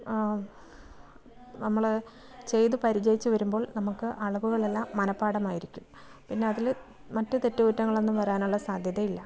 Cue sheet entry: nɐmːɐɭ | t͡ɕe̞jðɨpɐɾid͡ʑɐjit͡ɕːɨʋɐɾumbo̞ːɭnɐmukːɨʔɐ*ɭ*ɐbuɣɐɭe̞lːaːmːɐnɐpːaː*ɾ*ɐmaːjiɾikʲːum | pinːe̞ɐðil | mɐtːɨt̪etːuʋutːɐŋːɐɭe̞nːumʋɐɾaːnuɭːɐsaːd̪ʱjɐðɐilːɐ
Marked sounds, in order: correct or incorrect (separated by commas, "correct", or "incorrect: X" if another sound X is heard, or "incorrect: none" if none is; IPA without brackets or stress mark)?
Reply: correct, incorrect: ɽ